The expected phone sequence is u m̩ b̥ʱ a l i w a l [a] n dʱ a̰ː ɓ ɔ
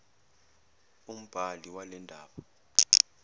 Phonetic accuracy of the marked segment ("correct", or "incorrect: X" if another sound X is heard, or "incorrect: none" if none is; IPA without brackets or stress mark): incorrect: ɛ